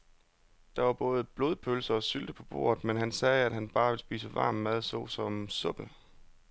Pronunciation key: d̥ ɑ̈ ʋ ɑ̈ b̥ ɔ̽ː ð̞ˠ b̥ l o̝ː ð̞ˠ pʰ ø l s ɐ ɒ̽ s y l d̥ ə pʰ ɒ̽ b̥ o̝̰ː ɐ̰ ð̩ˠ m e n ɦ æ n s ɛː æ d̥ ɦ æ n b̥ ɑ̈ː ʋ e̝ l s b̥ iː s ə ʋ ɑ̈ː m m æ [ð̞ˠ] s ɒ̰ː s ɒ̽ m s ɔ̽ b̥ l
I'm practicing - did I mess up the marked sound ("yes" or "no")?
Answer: no